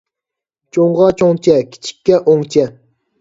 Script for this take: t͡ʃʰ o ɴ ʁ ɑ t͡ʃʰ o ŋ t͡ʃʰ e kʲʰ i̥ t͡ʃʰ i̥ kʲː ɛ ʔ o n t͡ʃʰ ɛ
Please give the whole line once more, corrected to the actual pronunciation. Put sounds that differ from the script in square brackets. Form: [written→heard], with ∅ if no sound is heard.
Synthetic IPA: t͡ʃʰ o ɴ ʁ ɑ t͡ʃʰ o ŋ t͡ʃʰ [e→ɛ] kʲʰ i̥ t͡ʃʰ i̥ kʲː ɛ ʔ o [n→ŋ] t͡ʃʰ ɛ